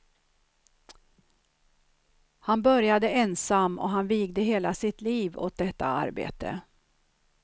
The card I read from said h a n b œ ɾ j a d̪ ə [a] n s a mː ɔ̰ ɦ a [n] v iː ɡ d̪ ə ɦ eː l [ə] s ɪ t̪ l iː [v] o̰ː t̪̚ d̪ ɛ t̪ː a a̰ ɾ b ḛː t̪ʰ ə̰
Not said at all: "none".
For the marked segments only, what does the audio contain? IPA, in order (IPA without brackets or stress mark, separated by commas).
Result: ɛ, n, a, v